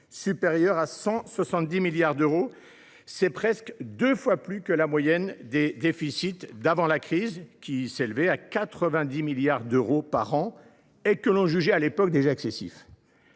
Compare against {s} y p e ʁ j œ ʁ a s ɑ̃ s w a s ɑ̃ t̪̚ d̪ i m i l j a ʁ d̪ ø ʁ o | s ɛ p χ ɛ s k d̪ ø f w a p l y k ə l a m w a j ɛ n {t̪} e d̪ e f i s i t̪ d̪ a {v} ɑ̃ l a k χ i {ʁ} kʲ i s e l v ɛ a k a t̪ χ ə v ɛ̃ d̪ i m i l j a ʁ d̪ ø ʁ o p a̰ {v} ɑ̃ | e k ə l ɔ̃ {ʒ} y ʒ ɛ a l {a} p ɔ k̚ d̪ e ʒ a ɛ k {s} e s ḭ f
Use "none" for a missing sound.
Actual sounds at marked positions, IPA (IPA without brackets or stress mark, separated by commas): s, d̪, v, z, ʁ, ʒ, e, s